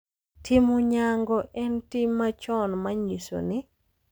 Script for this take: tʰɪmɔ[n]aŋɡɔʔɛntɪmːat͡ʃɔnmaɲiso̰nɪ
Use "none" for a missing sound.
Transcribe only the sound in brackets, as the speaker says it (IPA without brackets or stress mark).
ɲ